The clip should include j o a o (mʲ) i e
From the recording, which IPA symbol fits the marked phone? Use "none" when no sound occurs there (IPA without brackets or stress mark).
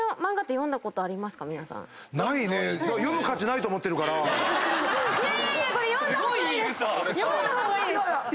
none